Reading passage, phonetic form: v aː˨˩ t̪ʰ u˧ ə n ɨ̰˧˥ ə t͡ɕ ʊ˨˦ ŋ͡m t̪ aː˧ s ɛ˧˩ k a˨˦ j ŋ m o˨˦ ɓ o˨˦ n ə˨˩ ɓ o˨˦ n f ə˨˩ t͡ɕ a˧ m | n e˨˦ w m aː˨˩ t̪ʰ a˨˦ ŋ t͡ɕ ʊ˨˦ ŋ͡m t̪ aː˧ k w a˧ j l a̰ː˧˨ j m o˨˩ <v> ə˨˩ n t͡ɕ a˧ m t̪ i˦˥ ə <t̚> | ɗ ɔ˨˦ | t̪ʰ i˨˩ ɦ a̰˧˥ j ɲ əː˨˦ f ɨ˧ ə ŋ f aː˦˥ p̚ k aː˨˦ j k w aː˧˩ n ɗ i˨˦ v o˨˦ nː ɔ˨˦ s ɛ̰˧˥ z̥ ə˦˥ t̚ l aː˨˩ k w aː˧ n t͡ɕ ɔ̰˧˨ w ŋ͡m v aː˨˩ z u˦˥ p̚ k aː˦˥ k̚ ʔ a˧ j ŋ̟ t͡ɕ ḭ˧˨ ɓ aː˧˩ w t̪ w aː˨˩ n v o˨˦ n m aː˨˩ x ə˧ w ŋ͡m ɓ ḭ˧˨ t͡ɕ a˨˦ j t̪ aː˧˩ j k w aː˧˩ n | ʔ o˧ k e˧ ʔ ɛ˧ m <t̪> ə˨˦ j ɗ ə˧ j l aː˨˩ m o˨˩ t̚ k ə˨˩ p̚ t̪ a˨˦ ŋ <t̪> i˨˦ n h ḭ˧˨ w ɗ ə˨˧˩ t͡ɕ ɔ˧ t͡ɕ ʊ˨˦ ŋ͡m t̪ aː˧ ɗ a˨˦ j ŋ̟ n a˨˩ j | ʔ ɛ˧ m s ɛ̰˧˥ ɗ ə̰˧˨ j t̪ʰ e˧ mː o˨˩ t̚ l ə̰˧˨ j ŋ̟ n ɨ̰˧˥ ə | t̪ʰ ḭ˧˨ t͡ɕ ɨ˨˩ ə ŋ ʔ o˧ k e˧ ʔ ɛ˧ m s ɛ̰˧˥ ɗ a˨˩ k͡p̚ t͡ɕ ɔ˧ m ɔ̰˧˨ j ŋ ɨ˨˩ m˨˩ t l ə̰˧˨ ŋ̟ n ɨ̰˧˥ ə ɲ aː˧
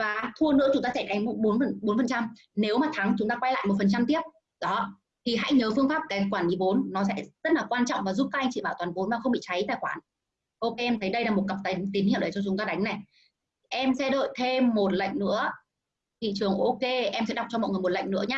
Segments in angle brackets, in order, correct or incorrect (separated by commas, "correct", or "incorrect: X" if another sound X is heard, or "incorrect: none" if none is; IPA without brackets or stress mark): incorrect: f, incorrect: p̚, incorrect: t̪ʰ, correct